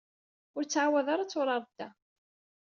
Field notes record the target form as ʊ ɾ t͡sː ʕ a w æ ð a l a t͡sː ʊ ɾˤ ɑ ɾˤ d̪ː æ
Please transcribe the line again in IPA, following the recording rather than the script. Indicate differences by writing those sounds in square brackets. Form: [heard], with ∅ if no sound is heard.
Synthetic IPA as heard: ʊ ɾ t͡sː ʕ a w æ ð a [ɾ] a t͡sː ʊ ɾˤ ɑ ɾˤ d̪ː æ